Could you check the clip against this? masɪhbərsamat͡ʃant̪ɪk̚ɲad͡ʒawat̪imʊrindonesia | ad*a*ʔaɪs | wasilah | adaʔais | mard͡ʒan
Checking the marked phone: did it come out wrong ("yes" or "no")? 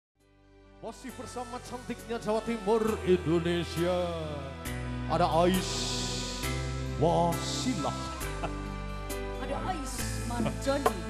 no